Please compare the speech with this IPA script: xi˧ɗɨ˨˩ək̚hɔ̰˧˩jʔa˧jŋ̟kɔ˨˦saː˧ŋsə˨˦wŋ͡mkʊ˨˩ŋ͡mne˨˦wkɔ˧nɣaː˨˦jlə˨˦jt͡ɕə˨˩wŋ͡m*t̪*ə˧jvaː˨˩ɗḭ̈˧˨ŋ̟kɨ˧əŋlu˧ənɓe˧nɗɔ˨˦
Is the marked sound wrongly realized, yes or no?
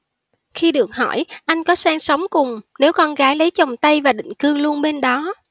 no